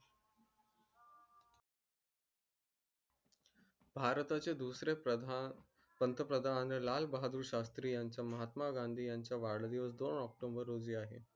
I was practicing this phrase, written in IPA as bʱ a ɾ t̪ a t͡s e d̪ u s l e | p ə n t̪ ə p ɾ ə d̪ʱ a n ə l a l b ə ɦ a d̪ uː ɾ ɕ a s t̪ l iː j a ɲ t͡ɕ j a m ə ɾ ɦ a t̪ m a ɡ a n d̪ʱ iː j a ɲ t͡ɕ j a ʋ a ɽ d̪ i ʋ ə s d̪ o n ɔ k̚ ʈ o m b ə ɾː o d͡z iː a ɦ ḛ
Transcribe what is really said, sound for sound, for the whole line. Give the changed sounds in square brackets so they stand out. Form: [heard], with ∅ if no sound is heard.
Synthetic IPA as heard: bʱ a ɾ t̪ a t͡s e d̪ u s [ɾ] e | p ə n t̪ ə p ɾ ə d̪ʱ a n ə l a l b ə ɦ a d̪ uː ɾ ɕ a s t̪ [ɾ] iː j a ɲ t͡ɕ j a m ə [∅] ɦ a t̪ m a ɡ a n d̪ʱ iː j a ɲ t͡ɕ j a ʋ a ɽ d̪ i ʋ ə s d̪ o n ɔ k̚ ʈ o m b ə ɾː o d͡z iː a ɦ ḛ